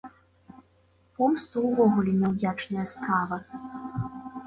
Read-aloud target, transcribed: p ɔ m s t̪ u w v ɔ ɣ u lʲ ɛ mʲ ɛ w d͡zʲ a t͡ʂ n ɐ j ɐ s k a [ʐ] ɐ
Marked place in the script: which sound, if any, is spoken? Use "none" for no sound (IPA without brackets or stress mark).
v